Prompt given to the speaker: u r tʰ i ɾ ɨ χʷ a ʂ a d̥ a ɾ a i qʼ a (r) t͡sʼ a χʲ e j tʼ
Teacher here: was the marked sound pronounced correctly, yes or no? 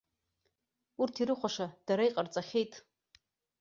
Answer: yes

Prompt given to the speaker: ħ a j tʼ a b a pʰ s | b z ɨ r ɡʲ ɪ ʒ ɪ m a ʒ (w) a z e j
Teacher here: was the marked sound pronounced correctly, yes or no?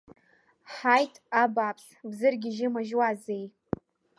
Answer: yes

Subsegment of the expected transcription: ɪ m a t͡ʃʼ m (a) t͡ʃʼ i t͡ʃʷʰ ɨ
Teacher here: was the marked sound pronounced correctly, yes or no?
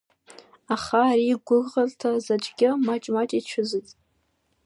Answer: yes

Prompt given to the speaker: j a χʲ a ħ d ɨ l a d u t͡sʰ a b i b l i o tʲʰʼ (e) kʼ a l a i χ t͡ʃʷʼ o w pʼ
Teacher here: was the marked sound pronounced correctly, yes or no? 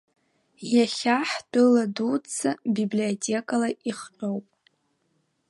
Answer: yes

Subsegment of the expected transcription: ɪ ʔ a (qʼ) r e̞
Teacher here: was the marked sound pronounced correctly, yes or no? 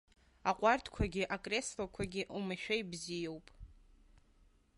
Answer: no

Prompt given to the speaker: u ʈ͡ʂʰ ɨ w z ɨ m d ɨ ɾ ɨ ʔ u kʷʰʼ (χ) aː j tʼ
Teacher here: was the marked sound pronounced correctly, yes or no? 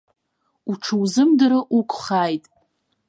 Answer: yes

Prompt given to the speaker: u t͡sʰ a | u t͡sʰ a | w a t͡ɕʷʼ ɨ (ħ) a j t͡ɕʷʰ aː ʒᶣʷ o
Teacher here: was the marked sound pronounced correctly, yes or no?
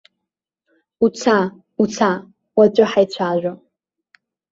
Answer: yes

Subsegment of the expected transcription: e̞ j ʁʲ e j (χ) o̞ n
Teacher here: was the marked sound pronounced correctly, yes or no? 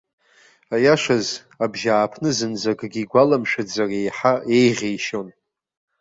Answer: no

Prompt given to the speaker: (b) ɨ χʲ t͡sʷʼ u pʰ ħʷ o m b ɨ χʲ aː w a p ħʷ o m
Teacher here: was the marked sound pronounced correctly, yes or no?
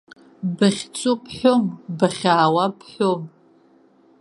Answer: yes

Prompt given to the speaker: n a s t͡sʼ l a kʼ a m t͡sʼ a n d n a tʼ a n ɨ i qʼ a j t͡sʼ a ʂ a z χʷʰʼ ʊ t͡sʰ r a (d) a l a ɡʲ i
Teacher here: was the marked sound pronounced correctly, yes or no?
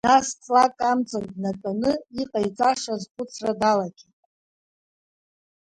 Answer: yes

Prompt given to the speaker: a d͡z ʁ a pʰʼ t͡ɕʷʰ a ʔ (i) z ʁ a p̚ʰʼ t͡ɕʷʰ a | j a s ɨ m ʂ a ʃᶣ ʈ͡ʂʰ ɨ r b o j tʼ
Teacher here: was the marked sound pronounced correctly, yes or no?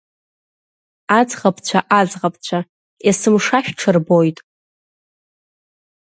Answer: no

